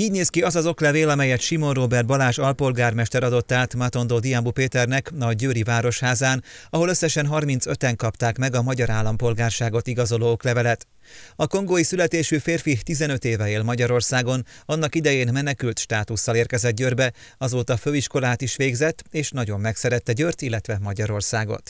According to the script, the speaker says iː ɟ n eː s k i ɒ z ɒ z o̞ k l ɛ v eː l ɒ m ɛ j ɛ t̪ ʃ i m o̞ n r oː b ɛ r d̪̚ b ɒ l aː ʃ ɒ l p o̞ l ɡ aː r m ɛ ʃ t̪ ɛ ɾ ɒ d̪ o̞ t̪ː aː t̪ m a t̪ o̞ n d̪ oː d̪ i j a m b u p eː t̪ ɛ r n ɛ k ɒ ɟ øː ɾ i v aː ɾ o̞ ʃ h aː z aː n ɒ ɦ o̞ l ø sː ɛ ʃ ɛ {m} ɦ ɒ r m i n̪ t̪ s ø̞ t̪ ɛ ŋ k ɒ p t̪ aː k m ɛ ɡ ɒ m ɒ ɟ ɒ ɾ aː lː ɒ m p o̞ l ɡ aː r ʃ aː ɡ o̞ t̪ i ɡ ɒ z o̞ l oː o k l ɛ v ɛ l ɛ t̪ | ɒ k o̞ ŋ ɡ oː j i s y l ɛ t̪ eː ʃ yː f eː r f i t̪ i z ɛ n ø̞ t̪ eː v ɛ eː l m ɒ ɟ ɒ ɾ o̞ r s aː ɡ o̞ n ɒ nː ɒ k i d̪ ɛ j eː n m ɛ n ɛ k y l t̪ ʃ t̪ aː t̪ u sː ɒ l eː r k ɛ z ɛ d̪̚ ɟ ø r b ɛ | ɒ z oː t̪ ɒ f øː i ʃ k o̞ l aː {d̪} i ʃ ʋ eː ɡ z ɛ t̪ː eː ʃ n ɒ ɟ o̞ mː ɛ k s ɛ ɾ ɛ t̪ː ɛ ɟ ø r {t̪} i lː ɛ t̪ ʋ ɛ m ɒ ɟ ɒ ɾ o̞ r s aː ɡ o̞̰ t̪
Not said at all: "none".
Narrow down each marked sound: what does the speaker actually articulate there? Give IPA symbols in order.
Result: n, t̪, t̪

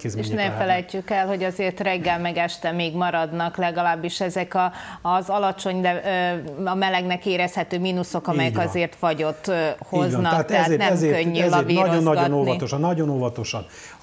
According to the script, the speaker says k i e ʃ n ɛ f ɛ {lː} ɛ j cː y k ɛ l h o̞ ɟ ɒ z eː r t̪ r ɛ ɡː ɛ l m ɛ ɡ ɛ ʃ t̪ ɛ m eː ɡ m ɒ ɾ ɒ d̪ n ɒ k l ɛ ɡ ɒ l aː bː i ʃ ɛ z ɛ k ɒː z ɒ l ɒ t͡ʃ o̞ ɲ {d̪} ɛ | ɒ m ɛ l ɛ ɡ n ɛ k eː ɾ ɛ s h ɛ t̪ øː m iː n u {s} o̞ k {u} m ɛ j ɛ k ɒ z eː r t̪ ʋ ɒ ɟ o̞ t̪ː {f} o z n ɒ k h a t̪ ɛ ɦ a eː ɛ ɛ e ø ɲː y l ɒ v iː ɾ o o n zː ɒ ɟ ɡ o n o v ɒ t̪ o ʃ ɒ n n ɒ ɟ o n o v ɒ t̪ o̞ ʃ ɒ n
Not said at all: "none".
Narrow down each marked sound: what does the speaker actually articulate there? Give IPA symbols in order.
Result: l, d̪, s, ɒ, h

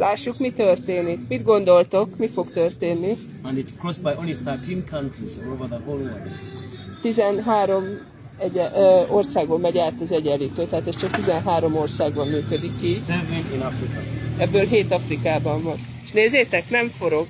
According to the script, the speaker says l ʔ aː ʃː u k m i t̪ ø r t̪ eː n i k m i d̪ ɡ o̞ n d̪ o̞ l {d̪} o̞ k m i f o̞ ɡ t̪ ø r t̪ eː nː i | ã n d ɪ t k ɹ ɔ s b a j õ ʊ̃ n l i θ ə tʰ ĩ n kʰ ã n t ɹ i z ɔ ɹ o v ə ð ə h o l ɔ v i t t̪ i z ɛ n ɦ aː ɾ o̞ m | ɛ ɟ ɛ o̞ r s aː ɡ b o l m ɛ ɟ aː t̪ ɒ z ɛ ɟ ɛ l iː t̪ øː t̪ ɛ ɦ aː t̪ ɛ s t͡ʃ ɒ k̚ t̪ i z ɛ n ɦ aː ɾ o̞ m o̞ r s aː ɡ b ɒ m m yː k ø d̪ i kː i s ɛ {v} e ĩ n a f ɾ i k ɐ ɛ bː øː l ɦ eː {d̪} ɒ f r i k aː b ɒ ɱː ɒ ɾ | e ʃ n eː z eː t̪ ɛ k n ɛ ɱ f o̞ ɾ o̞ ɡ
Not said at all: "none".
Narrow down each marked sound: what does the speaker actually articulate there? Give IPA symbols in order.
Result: t̪, v, t̪

